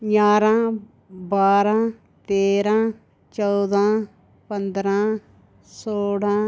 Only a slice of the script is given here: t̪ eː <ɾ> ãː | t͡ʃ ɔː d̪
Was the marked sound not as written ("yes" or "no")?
no